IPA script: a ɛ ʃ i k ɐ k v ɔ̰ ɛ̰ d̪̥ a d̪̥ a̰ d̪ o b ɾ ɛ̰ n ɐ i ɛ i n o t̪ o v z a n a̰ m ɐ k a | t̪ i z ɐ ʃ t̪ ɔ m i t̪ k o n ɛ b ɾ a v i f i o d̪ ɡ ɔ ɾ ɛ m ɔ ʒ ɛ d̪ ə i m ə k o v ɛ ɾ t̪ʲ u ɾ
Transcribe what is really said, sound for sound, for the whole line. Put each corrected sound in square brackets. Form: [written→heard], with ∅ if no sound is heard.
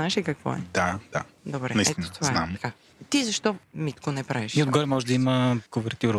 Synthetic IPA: a ɛ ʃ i k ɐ k v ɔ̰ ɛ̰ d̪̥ a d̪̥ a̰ d̪ o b ɾ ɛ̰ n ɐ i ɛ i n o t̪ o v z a n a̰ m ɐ k a | t̪ i z ɐ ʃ t̪ ɔ m i t̪ k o n ɛ [b→p] ɾ a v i [f→ʃ] i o d̪ ɡ ɔ ɾ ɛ m ɔ ʒ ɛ d̪ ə i m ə k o v ɛ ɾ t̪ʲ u ɾ